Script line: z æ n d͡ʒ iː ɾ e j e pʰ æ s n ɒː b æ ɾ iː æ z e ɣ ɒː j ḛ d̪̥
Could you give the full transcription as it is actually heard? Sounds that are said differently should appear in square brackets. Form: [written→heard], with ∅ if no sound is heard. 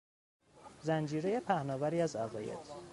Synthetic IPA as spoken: z æ n d͡ʒ iː ɾ e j e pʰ æ [s→h] n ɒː [b→v] æ ɾ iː æ z [e→æ] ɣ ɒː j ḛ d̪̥